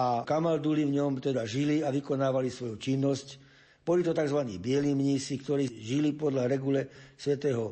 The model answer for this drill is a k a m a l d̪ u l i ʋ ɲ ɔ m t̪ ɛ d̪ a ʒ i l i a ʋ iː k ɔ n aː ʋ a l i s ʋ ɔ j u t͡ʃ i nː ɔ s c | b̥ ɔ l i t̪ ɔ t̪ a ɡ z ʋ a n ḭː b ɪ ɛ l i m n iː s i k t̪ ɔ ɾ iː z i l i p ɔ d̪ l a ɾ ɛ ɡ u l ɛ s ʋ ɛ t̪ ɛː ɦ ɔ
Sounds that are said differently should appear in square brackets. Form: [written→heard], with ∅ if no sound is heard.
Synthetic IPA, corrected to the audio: a k a m a l d̪ u l i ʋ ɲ ɔ m t̪ ɛ d̪ a ʒ i l i a ʋ [iː→i] k ɔ n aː ʋ a l i s ʋ ɔ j u t͡ʃ i nː ɔ s c | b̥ ɔ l i t̪ ɔ t̪ a ɡ z ʋ a n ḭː b ɪ ɛ l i m [n→ɲ] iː s i k t̪ ɔ ɾ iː [z→ʒ] i l i p ɔ d̪ l a ɾ ɛ ɡ u l ɛ s ʋ ɛ t̪ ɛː ɦ ɔ